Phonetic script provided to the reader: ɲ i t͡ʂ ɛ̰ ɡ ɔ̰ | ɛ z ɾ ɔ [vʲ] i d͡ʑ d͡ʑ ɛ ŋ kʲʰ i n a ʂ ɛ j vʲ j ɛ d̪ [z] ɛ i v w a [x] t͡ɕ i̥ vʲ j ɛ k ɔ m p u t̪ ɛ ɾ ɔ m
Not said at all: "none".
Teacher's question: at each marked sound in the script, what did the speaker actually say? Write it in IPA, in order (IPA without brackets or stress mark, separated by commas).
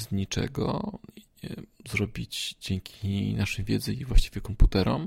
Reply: bʲ, z, ɕ